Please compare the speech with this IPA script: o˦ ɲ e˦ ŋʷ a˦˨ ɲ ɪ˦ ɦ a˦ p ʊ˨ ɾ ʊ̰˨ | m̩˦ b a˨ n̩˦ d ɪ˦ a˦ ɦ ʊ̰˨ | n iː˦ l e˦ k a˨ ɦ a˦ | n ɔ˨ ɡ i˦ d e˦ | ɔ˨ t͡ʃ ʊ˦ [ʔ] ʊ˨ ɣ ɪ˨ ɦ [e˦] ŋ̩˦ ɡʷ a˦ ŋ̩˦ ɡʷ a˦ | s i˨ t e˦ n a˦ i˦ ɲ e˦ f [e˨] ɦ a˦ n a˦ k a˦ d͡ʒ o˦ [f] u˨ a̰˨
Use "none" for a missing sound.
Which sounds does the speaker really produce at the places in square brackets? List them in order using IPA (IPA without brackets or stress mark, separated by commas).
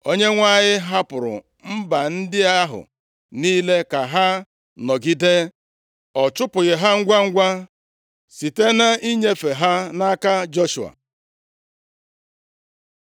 p, a˦, e˨, ʃ